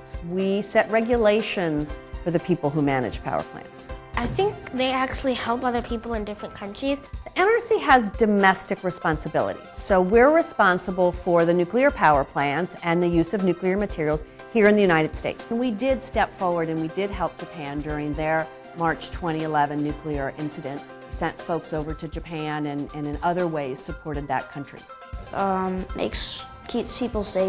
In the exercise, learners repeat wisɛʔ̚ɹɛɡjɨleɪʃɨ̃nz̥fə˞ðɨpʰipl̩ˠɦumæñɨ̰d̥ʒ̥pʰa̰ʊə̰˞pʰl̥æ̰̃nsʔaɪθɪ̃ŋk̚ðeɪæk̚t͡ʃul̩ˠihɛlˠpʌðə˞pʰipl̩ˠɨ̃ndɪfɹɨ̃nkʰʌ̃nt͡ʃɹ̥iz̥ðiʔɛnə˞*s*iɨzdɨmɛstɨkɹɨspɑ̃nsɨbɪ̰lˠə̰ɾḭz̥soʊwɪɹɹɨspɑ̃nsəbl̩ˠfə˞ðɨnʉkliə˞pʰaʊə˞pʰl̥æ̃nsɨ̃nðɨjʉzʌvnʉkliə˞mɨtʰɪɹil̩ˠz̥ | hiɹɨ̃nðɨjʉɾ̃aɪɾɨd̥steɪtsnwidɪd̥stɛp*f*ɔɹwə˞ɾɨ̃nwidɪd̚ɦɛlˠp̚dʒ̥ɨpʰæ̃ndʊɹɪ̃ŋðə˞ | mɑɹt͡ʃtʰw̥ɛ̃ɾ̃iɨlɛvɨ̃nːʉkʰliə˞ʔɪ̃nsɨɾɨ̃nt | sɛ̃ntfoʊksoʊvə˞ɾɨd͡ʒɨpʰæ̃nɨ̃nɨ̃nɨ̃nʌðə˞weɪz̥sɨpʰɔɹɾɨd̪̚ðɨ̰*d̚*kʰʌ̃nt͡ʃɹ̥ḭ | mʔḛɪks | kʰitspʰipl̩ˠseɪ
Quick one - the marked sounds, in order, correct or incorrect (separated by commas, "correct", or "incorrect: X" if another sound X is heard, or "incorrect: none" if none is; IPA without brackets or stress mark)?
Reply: correct, correct, incorrect: t̚